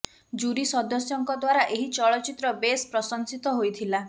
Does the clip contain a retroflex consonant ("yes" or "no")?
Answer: yes